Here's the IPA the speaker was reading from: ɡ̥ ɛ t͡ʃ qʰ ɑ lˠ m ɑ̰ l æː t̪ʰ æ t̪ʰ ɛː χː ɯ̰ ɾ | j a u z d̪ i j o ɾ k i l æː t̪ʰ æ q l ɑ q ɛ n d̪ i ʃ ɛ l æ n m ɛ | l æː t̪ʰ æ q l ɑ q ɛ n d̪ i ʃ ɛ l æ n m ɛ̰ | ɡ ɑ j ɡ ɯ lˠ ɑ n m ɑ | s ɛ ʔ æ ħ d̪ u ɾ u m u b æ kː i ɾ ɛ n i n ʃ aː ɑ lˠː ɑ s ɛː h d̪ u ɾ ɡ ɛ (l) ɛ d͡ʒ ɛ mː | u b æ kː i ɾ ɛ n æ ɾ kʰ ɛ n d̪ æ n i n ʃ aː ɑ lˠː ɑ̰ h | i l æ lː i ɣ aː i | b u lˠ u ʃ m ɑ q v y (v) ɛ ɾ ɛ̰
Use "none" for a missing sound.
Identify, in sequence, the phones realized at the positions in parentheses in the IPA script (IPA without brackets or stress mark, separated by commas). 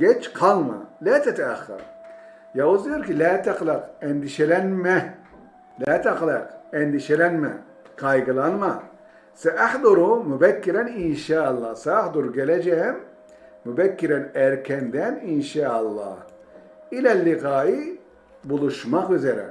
l, z